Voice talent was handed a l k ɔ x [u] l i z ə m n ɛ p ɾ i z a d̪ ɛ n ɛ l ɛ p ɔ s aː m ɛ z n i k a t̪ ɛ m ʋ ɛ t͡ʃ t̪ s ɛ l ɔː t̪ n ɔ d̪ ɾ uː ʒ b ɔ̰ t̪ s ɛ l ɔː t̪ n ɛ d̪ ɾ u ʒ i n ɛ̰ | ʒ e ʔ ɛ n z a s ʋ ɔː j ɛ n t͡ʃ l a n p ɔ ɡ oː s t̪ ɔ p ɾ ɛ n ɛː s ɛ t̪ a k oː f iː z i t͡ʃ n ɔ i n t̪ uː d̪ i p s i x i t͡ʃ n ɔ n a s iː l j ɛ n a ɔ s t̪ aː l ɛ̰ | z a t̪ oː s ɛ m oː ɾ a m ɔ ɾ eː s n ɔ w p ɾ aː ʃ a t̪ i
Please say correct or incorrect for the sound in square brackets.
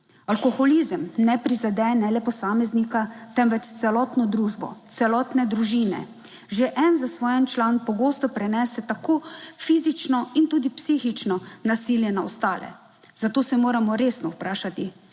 incorrect